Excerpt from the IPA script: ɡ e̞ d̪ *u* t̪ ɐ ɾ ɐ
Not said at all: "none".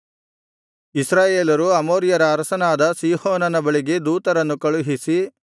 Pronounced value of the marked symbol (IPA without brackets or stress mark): uː